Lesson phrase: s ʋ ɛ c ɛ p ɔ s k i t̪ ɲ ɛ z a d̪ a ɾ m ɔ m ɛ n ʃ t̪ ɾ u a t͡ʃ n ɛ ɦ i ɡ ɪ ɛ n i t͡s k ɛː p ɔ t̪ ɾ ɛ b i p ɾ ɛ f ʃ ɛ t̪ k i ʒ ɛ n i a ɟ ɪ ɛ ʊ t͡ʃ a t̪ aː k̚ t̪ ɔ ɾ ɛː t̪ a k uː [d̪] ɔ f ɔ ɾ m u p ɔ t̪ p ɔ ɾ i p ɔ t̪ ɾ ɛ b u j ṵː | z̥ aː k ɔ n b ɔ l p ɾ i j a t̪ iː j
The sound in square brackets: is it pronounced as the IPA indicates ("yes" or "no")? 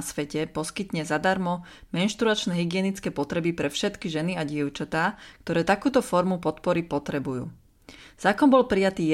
no